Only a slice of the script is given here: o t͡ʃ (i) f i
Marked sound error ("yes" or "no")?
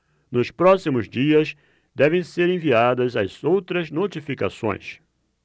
no